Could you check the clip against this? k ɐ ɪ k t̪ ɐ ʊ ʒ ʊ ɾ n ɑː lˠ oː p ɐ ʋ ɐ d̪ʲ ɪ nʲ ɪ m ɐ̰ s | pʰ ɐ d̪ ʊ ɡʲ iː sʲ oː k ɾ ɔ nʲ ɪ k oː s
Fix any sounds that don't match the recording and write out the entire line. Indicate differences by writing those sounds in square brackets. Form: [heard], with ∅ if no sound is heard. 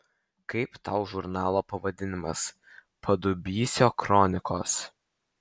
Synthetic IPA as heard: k ɐ ɪ [p] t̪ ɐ ʊ ʒ ʊ ɾ n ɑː lˠ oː p ɐ ʋ ɐ d̪ʲ ɪ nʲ ɪ m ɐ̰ s | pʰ ɐ d̪ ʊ [bʲ] iː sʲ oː k ɾ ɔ nʲ ɪ k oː s